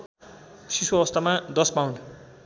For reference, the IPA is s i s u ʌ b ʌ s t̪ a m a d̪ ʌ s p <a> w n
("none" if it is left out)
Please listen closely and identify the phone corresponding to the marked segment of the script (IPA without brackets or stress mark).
a